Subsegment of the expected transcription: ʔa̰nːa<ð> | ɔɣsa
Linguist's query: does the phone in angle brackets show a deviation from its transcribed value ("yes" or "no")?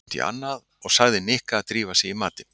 no